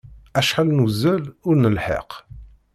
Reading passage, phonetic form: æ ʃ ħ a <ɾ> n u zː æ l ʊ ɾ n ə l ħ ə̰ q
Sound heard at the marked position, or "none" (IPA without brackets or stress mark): l